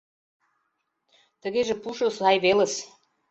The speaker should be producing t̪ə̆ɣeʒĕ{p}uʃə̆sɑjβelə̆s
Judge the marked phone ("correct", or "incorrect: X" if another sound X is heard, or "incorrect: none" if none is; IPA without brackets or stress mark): correct